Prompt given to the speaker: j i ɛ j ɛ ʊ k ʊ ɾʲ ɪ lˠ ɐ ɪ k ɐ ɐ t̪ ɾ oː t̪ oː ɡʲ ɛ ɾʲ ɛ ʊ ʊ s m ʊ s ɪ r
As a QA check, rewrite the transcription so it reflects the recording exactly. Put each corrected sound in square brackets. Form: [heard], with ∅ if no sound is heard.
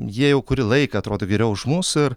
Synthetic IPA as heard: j i ɛ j ɛ ʊ k ʊ ɾʲ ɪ lˠ ɐ ɪ k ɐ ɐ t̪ ɾ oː [d̪] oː ɡʲ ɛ ɾʲ ɛ ʊ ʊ [ʃ] m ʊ s ɪ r